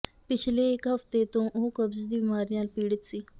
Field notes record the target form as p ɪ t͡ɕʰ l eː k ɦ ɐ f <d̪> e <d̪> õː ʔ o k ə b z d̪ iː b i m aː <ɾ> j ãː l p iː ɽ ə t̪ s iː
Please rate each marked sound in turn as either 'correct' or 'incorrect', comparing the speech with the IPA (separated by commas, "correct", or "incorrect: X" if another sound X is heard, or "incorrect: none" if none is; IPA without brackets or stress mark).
incorrect: t̪, incorrect: t̪, correct